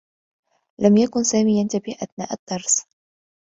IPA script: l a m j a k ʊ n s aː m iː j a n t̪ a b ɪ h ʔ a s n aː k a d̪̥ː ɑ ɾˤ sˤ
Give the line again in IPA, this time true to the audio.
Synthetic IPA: l a m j a k ʊ n s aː m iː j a n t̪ a b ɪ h ʔ a θ n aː ʔ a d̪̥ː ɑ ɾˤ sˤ